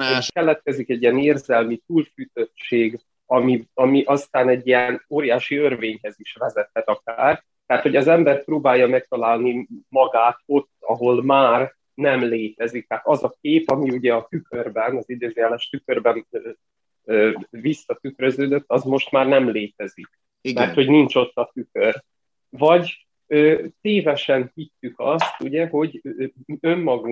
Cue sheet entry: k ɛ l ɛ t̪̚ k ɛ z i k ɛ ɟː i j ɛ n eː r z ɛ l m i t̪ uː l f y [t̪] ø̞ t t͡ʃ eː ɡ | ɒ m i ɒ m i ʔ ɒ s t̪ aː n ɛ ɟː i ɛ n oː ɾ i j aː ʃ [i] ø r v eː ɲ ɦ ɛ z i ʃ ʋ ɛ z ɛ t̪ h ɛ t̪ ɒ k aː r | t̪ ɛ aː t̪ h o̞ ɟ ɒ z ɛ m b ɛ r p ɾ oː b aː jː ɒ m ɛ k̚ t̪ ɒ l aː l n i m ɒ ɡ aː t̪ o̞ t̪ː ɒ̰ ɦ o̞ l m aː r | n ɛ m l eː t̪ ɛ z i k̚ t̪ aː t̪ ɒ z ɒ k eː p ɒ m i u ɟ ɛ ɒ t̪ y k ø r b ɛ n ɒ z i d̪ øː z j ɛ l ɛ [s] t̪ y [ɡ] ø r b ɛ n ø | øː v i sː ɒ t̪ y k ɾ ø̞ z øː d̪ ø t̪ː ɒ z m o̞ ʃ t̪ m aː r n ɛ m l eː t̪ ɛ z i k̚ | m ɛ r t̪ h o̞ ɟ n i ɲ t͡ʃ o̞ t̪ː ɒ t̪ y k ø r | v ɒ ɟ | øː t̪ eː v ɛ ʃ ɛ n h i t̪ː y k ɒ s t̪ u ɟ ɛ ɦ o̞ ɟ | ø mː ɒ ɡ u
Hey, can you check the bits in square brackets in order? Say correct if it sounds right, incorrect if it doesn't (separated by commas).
correct, correct, incorrect, incorrect